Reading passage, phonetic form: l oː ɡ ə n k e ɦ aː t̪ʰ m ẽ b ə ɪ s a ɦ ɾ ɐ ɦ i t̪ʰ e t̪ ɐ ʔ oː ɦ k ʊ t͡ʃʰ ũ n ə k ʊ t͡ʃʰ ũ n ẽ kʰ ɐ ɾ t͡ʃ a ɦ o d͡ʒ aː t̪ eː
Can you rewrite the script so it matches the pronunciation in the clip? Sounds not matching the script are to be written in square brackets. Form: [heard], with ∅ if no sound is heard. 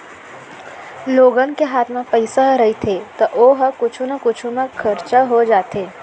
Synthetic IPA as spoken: l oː ɡ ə n k e ɦ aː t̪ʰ m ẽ [p] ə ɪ s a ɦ ɾ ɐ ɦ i t̪ʰ e t̪ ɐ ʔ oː ɦ k ʊ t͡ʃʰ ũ n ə k ʊ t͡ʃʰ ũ [m] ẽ kʰ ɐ ɾ t͡ʃ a ɦ o d͡ʒ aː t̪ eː